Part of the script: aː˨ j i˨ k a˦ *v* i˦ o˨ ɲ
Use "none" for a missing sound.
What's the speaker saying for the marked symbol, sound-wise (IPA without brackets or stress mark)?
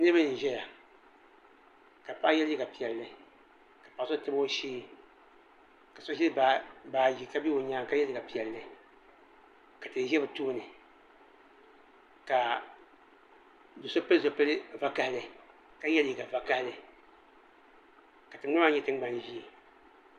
b